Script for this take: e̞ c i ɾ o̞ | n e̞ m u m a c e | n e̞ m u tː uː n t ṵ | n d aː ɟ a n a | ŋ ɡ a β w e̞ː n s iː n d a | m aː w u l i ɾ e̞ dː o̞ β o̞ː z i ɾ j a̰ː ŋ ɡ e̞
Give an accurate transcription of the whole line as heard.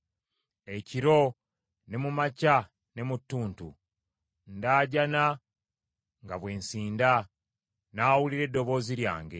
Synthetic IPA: e̞ c i ɾ o̞ | n e̞ m u m a c a | n e̞ m u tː uː n t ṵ | n d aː ɟ a n a | ŋ ɡ a β w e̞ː n s iː n d a | n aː w u l i ɾ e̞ dː o̞ β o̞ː z i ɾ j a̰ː ŋ ɡ e̞